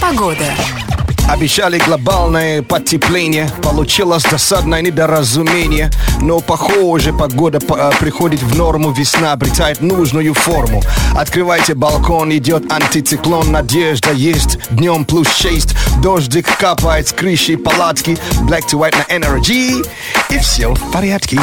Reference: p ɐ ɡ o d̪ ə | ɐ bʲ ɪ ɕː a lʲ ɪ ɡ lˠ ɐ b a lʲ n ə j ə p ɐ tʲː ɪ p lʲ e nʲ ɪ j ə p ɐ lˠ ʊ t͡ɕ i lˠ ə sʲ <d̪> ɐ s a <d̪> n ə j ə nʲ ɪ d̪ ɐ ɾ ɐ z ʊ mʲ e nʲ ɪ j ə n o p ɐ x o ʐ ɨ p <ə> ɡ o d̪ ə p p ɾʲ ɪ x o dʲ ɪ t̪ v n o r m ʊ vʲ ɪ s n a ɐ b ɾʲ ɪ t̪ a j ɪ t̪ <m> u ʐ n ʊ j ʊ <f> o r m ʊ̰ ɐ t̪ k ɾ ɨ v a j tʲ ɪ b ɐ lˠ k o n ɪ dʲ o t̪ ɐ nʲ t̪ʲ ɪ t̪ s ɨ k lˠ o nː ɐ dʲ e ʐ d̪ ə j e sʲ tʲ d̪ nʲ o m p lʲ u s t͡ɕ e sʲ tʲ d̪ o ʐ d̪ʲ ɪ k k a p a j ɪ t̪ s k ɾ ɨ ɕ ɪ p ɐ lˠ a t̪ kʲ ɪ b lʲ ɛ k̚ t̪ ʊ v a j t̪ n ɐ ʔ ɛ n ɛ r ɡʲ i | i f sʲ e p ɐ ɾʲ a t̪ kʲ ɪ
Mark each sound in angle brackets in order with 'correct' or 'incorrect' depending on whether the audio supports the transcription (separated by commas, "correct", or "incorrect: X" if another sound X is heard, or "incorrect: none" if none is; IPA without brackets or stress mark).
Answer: correct, correct, incorrect: ɐ, incorrect: n, correct